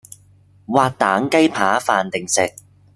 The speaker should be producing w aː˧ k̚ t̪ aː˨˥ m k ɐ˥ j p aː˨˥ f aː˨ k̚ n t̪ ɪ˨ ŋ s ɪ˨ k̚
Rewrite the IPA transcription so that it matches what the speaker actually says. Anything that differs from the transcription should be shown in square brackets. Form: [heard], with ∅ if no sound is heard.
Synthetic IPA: w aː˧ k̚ t̪ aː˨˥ [ŋ] k ɐ˥ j [pʰ] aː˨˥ f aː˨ [∅] n t̪ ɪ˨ ŋ s ɪ˨ k̚